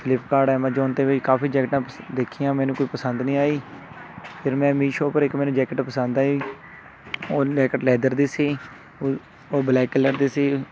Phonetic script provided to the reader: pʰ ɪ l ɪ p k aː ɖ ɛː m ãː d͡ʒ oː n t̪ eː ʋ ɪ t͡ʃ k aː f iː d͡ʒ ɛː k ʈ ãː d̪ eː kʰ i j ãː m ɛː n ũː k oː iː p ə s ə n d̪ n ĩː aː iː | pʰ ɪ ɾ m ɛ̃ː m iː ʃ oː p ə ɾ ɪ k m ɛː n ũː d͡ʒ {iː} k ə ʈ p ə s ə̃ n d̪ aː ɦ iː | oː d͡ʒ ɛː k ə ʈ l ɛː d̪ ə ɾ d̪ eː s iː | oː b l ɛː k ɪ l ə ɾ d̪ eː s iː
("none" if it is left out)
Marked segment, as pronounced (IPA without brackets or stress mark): ɛː